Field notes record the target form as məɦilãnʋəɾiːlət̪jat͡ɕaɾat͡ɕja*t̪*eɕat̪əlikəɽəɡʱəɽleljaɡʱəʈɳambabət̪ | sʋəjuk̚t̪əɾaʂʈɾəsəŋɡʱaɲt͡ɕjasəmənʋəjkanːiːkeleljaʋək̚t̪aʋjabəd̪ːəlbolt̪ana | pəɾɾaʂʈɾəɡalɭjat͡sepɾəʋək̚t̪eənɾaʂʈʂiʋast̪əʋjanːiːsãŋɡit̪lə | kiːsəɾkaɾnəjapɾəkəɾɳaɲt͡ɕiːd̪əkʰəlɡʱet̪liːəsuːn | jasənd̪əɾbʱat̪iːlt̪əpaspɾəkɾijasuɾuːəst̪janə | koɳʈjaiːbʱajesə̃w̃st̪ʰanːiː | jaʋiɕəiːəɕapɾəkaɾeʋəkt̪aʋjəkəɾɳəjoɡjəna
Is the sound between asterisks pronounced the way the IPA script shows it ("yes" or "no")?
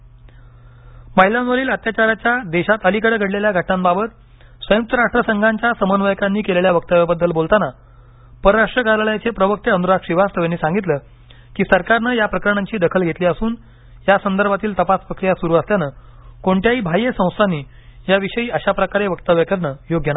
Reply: no